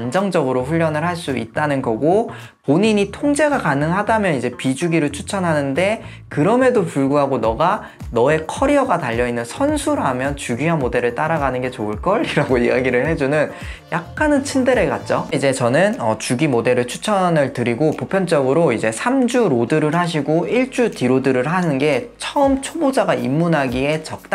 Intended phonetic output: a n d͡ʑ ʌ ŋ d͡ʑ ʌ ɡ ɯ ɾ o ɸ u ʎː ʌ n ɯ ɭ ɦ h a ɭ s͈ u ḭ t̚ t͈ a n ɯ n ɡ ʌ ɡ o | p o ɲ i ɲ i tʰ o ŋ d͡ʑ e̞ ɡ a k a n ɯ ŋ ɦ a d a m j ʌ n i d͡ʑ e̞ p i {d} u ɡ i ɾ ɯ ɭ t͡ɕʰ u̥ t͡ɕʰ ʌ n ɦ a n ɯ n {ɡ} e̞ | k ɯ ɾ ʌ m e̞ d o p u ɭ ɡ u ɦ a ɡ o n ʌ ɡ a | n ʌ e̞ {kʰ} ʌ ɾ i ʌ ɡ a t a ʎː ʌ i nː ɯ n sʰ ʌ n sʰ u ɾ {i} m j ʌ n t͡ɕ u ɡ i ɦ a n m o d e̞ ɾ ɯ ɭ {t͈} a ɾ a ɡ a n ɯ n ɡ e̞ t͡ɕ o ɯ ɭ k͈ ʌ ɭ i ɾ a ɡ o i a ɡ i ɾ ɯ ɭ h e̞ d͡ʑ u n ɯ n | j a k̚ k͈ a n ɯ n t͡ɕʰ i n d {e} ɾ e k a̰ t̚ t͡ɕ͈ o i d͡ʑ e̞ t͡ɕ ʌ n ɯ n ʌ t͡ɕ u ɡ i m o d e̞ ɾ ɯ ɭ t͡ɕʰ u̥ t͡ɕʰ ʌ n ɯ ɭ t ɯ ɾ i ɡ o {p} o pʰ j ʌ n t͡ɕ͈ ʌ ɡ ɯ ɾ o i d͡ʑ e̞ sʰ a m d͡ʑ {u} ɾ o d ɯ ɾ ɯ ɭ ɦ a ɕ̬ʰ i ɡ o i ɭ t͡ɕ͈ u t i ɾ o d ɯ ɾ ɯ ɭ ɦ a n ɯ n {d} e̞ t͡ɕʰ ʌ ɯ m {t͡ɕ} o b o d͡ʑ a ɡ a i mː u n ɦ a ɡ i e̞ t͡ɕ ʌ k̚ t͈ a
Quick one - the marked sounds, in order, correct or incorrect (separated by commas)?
incorrect, incorrect, correct, incorrect, correct, correct, correct, correct, incorrect, incorrect